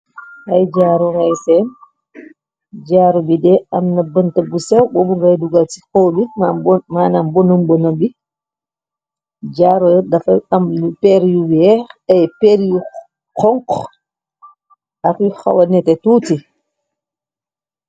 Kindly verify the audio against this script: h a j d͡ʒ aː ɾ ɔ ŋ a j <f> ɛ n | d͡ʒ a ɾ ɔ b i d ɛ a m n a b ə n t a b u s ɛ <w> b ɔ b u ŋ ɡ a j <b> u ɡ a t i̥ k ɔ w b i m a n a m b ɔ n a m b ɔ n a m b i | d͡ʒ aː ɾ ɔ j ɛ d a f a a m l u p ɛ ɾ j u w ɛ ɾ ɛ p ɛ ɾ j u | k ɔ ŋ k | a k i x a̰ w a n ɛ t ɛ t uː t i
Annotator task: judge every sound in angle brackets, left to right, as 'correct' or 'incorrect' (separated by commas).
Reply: incorrect, correct, incorrect